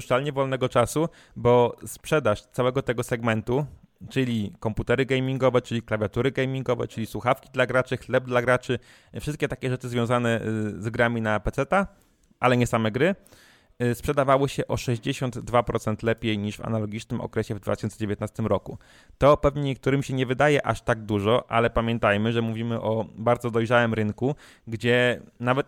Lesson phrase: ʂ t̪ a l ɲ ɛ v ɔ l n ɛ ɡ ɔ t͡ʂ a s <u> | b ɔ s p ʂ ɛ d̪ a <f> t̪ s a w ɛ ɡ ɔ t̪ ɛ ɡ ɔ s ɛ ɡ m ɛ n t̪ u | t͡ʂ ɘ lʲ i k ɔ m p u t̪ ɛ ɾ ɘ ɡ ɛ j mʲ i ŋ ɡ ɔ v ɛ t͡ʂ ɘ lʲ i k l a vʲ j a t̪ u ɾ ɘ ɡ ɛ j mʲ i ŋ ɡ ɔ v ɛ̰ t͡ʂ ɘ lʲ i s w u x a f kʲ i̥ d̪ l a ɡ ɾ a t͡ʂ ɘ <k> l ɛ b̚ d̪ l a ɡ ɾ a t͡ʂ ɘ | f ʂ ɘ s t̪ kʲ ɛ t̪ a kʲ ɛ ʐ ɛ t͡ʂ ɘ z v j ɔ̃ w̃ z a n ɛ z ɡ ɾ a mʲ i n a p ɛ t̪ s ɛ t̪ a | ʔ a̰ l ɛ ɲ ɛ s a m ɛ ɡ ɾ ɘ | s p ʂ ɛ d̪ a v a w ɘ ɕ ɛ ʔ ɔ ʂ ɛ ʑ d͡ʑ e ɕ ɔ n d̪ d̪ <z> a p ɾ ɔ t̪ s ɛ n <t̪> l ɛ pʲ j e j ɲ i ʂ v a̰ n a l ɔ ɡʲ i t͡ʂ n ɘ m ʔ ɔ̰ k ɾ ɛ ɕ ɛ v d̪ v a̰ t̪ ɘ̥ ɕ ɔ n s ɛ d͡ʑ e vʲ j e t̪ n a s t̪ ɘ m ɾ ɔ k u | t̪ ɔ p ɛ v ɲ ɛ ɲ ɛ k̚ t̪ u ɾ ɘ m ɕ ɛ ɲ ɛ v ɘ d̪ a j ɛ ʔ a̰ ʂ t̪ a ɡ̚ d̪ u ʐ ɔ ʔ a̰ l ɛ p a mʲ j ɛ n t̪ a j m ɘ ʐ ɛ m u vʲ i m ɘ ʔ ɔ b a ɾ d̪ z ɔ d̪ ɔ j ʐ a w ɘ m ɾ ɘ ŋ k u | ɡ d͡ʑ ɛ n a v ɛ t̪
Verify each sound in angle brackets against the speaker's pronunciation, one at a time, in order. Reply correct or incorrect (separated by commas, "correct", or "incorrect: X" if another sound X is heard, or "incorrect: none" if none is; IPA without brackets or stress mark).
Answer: correct, incorrect: ʂ, incorrect: x, incorrect: v, correct